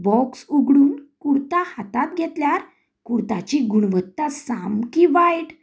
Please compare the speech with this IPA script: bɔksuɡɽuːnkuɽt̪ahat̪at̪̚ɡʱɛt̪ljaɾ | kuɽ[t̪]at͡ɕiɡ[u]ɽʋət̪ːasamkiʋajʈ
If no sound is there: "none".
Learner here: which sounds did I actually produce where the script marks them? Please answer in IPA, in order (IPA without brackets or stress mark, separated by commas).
t̪, u